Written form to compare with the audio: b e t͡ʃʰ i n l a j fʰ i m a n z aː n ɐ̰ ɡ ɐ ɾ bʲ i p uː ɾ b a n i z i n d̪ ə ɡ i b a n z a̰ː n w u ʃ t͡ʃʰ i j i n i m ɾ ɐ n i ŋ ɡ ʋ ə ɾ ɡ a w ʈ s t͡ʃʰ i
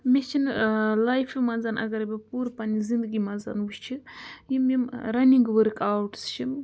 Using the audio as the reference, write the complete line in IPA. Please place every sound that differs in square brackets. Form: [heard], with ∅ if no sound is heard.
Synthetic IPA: [m] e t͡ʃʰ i n l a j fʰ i m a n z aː n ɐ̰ ɡ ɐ ɾ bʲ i p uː ɾ [p] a n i z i n d̪ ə ɡ i [m] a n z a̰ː n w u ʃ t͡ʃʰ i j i [m] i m ɾ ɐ n i ŋ ɡ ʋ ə ɾ [k] a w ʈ s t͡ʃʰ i